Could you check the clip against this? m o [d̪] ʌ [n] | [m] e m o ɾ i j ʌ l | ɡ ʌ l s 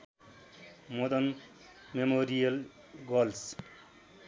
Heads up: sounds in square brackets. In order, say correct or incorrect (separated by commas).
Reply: correct, correct, correct